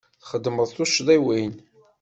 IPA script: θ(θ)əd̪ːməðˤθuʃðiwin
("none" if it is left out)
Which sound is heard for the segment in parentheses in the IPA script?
χ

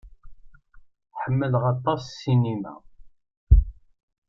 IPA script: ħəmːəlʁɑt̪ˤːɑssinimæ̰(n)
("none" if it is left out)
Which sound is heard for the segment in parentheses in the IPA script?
none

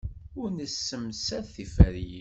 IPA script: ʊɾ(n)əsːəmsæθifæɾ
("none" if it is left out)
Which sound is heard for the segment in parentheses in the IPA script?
n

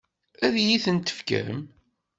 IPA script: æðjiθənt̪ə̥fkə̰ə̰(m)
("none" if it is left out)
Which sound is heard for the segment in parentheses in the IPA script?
m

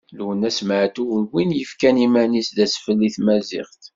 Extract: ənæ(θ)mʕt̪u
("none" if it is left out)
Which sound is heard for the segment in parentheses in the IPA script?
s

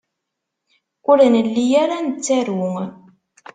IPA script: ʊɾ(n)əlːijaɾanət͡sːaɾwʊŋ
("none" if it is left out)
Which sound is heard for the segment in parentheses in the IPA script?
n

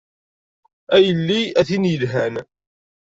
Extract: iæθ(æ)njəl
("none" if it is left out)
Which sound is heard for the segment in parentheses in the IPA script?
i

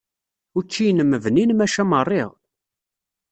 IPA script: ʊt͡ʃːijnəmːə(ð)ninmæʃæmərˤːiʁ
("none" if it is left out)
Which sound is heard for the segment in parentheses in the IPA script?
v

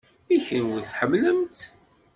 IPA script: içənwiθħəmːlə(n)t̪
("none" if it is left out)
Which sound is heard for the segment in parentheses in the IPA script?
m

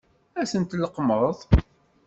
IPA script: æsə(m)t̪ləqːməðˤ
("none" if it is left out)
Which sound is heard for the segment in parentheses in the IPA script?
n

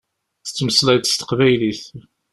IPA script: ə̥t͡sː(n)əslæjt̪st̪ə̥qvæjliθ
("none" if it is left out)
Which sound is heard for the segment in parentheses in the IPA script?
m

